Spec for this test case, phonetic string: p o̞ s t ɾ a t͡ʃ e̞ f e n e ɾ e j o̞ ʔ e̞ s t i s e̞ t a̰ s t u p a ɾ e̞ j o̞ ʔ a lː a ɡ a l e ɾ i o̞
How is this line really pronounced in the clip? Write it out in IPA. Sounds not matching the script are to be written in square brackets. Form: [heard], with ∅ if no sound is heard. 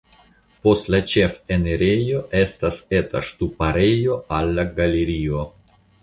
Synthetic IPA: p o̞ s t [l] a t͡ʃ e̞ f e n e ɾ e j o̞ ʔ e̞ s t [a] s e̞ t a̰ [ʃ] t u p a ɾ e̞ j o̞ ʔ a lː a ɡ a l e ɾ i o̞